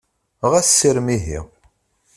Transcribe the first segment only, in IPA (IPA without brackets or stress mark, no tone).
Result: ʁ